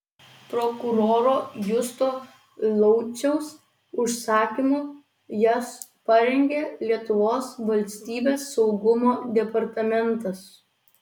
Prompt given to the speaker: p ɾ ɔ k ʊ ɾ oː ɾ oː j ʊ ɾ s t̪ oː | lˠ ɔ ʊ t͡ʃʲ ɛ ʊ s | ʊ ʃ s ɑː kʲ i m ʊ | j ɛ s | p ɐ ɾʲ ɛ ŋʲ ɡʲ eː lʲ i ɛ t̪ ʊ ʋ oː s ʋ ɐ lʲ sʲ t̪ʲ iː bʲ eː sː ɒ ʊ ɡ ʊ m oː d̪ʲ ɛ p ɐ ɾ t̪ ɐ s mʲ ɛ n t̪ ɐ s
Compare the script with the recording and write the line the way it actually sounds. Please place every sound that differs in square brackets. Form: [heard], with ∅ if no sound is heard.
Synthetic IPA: p ɾ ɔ k ʊ ɾ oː ɾ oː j ʊ [∅] s t̪ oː | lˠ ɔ ʊ t͡ʃʲ ɛ ʊ s | ʊ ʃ s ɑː kʲ i m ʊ | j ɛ s | p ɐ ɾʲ ɛ ŋʲ ɡʲ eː lʲ i ɛ t̪ ʊ ʋ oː s ʋ ɐ lʲ sʲ t̪ʲ iː bʲ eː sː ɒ ʊ ɡ ʊ m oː d̪ʲ ɛ p ɐ ɾ t̪ ɐ [∅] mʲ ɛ n t̪ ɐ s